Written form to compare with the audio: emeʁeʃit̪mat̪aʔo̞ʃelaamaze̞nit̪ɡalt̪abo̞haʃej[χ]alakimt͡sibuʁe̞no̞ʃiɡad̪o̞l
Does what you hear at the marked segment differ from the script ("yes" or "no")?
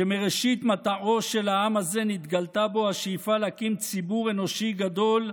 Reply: yes